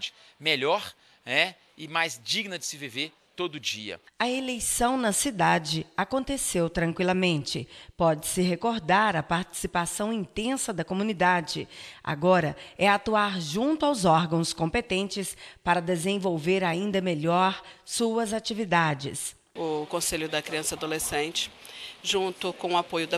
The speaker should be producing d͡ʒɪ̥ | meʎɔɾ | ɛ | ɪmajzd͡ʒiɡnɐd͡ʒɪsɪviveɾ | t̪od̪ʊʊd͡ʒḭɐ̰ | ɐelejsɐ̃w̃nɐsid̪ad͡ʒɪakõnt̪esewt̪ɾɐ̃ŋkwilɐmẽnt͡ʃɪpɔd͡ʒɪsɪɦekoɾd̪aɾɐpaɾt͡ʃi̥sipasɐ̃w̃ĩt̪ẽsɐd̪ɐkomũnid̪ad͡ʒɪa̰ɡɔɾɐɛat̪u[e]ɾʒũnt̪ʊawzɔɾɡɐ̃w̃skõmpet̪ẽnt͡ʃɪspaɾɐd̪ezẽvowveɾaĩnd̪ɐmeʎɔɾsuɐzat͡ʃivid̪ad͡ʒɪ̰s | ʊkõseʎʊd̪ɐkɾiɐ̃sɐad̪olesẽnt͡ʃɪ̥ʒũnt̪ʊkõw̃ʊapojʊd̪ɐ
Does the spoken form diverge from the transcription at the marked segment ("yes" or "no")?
yes